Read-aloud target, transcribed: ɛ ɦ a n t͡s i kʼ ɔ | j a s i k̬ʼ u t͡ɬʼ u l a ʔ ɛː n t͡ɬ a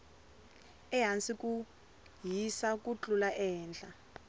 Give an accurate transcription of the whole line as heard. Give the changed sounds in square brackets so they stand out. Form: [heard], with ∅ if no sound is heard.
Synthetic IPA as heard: ɛ ɦ a n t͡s i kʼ [u] | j [i] s [a] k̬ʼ u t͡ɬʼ u l a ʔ ɛː n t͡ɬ a